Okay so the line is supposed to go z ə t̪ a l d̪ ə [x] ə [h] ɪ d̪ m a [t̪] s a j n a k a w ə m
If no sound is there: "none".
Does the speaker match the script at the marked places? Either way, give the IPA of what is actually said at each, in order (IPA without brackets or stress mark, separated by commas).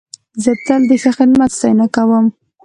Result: x, x, t̪